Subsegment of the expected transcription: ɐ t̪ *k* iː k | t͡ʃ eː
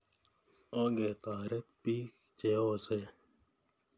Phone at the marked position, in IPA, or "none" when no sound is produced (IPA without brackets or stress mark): p